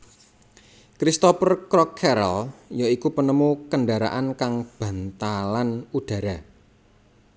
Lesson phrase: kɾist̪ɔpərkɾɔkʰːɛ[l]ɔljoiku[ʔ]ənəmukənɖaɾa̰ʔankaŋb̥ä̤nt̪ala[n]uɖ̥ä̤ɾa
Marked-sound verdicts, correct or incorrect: incorrect: ɾ, incorrect: p, correct

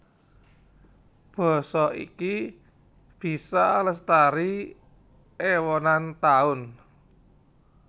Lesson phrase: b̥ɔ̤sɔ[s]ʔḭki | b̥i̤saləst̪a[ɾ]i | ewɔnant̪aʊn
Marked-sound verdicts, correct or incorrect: incorrect: none, correct

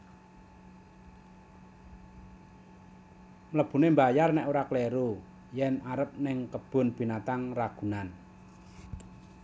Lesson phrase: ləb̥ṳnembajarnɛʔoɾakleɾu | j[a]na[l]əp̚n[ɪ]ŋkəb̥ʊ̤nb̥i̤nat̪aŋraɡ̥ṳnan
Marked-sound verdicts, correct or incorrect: incorrect: ɛ, incorrect: ɾ, correct

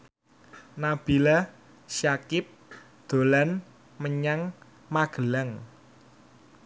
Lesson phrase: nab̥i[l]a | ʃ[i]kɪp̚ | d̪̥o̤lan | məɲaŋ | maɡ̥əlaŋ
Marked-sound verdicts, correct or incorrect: correct, incorrect: a

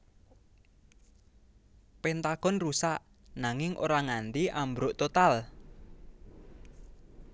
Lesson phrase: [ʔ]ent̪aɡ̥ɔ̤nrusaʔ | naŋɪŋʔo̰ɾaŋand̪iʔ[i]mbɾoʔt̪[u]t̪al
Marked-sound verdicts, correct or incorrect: incorrect: p, incorrect: a, incorrect: o

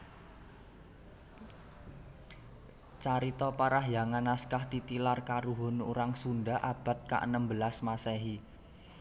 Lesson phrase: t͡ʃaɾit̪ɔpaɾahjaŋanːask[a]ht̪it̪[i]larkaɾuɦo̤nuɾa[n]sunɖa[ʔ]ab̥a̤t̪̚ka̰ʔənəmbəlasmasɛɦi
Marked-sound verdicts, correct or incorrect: correct, correct, incorrect: ŋ, correct

